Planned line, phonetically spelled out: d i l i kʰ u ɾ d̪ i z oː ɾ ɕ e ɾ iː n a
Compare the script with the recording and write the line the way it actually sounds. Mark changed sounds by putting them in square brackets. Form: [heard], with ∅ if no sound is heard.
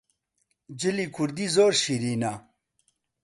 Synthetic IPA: [d͡ʑ] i l i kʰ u ɾ d̪ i z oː ɾ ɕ [i] ɾ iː n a